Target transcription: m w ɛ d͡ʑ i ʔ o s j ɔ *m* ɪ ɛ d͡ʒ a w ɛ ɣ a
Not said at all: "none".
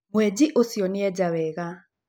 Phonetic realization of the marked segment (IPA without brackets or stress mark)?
n